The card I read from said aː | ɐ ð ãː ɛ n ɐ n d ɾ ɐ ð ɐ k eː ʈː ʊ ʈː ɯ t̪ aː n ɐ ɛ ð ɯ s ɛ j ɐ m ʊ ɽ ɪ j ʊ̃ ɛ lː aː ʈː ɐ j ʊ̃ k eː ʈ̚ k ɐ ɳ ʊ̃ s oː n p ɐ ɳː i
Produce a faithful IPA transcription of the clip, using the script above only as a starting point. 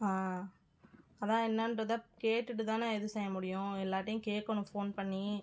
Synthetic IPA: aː | ɐ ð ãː ɛ nː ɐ n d ɾ ɐ ð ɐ k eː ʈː ɯ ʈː ɯ t̪ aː n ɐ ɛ ð ɯ s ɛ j ɐ m ʊ ɽ ɪ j ʊ̃ ɛ lː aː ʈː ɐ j ʊ̃ k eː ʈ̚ k ɐ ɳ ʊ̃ f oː n p ɐ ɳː i